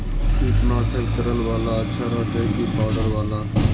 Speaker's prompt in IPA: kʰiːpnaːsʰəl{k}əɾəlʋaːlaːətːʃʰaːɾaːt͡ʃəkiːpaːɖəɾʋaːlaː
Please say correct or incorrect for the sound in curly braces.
correct